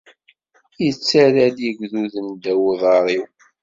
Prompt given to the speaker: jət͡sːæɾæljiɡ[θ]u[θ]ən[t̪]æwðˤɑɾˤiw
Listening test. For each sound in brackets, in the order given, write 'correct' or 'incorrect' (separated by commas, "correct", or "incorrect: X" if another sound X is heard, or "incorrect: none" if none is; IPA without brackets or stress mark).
incorrect: ð, incorrect: ð, incorrect: d̪